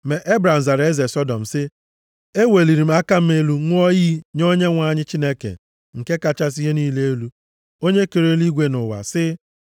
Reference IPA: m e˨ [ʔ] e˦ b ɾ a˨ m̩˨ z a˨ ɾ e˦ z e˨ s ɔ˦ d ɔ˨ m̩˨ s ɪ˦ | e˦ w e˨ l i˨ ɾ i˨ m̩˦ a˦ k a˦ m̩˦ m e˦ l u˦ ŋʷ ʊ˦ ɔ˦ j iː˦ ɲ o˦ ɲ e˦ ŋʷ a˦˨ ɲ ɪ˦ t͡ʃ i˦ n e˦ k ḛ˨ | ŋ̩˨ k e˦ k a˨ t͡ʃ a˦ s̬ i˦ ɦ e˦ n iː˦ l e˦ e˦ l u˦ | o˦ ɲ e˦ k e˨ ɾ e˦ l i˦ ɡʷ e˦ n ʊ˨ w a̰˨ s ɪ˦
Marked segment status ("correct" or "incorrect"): correct